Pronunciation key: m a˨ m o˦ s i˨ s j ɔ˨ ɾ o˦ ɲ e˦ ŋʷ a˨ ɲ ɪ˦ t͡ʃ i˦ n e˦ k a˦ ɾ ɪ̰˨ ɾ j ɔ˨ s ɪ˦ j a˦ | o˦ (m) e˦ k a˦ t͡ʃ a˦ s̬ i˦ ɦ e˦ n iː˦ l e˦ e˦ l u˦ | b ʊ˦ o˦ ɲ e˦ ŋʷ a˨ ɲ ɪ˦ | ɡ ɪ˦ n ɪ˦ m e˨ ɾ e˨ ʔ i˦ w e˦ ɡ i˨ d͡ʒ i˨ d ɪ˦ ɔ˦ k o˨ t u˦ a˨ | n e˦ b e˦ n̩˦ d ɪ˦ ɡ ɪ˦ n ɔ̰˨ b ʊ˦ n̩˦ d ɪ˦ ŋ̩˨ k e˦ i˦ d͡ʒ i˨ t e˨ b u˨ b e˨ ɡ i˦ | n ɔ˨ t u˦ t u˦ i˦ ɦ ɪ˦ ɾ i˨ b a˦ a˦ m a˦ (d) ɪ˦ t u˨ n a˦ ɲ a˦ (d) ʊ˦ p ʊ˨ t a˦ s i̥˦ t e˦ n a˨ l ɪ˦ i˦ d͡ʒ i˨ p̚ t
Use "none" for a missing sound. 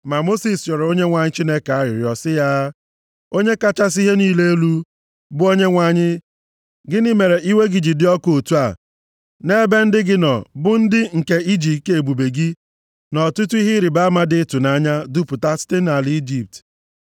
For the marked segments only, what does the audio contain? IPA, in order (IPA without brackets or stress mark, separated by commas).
ɲ, d, d